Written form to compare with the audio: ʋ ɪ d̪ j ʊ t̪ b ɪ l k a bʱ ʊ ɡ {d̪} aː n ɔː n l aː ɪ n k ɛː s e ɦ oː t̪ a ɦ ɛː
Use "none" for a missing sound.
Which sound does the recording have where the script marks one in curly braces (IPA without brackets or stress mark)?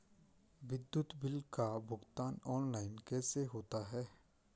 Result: t̪